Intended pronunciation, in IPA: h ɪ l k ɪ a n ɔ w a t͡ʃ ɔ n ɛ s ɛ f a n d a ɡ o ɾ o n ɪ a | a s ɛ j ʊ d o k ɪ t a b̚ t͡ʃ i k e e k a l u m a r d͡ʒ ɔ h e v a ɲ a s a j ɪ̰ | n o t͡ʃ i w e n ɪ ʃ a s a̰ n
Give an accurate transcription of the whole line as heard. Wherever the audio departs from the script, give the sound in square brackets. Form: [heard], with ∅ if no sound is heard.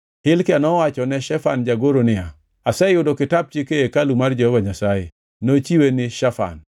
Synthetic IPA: h ɪ l k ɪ a n ɔ w a t͡ʃ ɔ n ɛ [ʃ] ɛ f a n [d͡ʒ] a ɡ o ɾ o n ɪ a | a s ɛ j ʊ d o k ɪ t a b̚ t͡ʃ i k e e k a l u m a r d͡ʒ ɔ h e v a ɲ a s a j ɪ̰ | n o t͡ʃ i w e n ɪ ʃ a [f] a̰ n